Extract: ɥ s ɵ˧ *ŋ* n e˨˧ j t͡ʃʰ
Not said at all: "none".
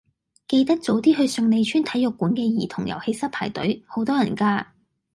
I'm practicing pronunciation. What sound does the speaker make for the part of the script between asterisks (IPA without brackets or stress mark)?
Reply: ŋ